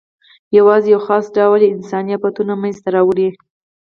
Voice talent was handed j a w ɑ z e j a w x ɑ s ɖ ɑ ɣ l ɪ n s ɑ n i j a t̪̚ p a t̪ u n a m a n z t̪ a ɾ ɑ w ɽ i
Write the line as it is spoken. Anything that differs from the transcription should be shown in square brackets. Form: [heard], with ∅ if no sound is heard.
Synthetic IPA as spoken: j a w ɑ z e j a w x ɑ s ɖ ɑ [w] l ɪ n s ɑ n i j a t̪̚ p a t̪ u n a m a n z t̪ a ɾ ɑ w ɽ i